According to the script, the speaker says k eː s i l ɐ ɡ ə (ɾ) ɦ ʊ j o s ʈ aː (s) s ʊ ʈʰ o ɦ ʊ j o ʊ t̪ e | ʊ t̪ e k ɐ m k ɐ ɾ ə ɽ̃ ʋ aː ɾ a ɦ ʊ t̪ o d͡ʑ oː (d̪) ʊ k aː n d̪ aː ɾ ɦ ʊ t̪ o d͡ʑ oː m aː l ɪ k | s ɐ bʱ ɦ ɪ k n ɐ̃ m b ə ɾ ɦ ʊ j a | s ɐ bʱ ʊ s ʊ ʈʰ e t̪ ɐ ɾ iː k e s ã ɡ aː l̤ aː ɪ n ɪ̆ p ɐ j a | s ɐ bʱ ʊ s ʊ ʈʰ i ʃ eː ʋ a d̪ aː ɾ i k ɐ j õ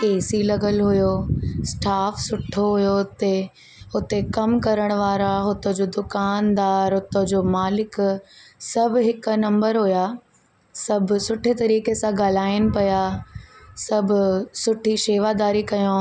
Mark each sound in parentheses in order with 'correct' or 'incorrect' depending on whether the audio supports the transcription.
incorrect: l, incorrect: f, correct

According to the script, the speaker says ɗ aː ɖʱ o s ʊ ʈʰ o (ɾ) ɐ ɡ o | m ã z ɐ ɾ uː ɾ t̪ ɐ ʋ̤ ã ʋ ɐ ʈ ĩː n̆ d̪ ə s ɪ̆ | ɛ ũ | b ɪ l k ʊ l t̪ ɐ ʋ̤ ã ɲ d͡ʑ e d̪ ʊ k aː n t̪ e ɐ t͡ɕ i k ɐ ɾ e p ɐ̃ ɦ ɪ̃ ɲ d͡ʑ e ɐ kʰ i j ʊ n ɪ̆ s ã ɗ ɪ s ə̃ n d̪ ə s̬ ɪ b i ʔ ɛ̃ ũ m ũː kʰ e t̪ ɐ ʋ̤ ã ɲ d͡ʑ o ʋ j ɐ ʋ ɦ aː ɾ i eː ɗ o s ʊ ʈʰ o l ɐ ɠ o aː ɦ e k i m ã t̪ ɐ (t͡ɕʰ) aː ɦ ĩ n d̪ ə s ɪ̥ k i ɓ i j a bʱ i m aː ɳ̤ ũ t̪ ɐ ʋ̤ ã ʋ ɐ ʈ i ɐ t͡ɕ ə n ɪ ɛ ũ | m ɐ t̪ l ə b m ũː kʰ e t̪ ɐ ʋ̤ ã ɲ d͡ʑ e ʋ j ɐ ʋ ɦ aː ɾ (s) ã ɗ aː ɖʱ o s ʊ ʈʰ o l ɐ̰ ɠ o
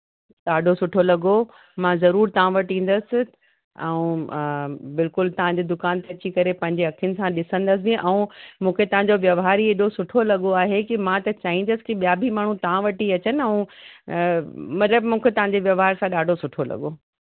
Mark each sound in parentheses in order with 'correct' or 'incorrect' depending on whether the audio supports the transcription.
incorrect: l, incorrect: t͡ɕ, correct

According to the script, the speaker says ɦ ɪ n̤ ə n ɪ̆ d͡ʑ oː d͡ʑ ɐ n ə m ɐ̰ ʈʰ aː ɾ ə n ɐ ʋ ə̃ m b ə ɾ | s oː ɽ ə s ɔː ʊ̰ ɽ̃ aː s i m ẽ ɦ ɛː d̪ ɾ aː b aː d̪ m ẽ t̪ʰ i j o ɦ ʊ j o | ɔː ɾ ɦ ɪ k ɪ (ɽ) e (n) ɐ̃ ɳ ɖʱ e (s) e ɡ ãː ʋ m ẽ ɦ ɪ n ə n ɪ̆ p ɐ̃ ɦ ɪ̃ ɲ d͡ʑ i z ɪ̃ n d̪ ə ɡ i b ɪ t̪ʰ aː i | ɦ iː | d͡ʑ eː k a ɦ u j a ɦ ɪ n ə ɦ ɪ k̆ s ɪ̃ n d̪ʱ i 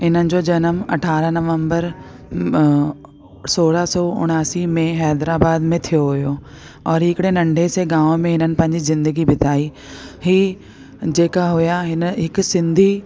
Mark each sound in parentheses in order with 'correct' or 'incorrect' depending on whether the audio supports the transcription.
correct, correct, correct

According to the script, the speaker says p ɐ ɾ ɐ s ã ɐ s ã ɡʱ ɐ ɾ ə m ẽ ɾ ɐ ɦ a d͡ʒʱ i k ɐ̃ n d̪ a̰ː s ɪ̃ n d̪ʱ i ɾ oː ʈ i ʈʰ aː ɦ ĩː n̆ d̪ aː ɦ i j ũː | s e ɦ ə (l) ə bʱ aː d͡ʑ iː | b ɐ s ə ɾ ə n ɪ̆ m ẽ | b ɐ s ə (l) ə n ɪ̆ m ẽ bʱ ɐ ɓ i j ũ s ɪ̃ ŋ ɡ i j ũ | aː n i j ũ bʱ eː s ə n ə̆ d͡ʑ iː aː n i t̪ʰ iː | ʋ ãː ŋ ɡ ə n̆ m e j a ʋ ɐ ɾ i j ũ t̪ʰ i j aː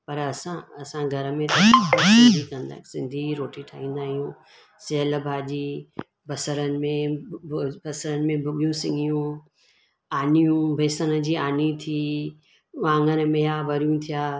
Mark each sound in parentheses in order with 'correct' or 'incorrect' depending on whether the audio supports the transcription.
correct, incorrect: ɾ

